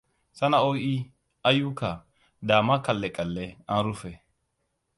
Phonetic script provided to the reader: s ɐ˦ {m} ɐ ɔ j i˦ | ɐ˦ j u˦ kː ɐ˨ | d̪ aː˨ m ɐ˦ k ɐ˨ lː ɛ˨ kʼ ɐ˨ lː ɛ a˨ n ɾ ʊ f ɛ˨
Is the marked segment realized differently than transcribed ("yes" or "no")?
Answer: yes